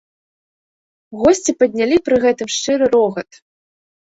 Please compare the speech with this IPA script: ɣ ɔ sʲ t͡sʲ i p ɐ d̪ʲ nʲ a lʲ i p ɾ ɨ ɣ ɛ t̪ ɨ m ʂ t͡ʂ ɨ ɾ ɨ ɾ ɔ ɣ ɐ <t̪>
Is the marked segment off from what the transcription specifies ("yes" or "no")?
no